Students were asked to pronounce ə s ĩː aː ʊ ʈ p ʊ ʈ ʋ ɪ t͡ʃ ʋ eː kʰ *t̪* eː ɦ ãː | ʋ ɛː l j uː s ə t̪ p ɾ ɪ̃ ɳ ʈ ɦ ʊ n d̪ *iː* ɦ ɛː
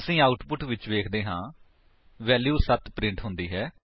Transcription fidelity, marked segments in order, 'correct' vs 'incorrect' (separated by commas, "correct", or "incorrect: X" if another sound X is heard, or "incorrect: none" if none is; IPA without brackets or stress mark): incorrect: d̪, correct